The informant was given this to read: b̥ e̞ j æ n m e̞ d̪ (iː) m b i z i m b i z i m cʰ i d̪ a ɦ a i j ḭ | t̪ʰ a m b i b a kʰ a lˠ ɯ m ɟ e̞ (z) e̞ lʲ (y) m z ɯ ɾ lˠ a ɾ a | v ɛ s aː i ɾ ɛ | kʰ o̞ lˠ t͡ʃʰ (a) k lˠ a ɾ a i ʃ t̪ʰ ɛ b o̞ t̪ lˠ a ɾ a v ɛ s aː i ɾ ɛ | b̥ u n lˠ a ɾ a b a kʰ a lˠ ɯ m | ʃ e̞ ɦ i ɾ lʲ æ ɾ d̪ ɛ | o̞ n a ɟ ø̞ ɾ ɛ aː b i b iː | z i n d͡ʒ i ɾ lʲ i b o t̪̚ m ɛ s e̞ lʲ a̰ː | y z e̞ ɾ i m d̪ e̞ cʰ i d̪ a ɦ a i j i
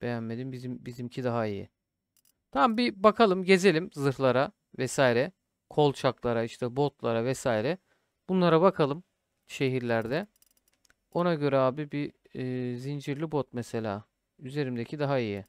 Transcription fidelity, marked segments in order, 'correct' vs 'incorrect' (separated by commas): incorrect, correct, incorrect, correct